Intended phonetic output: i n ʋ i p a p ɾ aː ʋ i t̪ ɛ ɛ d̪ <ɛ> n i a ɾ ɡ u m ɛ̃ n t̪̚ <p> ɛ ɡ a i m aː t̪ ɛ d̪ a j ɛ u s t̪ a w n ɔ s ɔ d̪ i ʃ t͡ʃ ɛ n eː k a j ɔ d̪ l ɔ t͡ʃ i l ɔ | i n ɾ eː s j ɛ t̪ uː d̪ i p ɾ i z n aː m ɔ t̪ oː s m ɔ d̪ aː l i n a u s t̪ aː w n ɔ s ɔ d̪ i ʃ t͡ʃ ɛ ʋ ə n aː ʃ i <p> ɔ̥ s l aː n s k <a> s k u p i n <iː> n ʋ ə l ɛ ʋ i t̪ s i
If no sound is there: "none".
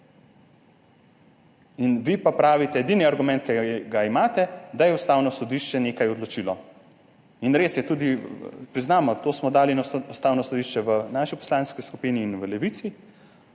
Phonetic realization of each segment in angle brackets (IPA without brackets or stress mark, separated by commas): i, k, p, i, iː